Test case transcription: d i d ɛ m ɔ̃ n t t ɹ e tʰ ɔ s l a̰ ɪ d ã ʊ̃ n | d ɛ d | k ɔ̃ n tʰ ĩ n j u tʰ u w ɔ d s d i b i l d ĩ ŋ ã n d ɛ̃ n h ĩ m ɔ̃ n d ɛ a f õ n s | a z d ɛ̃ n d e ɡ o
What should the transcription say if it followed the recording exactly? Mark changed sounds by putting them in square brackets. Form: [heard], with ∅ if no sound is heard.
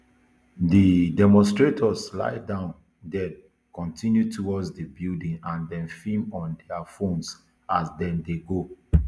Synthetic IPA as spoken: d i d ɛ m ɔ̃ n [s] t ɹ e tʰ ɔ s l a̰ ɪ d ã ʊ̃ n | d ɛ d | k ɔ̃ n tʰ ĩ n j u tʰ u w ɔ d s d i b i l d ĩ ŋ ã n d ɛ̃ n [f] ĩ m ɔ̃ n d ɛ a f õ n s | a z d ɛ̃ n d e ɡ o